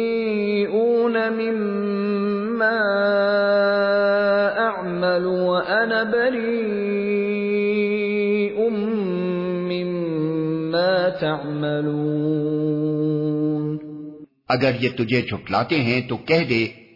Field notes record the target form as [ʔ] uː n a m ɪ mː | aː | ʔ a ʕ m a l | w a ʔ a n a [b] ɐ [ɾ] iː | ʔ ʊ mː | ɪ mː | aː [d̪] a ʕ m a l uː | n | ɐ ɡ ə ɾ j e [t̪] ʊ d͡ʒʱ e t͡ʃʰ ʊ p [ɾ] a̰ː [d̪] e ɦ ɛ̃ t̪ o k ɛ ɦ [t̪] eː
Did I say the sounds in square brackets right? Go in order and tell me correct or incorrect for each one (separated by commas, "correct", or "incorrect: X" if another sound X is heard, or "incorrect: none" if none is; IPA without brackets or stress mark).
correct, correct, correct, incorrect: t̪, correct, incorrect: l, incorrect: t̪, incorrect: d̪